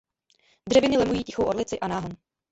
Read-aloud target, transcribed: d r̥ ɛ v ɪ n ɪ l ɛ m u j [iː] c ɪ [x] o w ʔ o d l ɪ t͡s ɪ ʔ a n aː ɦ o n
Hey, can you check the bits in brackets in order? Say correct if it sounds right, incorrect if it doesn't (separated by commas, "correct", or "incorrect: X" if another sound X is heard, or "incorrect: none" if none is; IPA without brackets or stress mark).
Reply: correct, correct